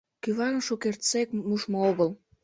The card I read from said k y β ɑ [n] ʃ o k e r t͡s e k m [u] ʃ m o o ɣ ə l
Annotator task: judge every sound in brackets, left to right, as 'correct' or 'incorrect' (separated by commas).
correct, correct